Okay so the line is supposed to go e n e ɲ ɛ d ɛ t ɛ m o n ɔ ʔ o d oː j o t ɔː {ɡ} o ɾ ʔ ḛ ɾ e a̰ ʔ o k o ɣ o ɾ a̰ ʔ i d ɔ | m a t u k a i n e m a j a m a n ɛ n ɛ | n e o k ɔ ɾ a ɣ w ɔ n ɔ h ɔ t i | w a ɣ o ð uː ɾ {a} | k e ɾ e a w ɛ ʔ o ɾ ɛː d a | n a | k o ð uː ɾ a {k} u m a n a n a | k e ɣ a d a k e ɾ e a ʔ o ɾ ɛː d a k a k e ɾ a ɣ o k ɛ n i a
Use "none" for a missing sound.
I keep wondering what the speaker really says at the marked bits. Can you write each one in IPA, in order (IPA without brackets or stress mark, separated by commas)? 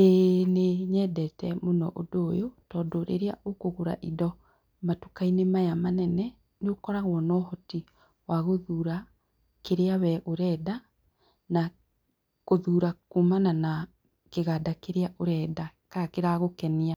d, a, k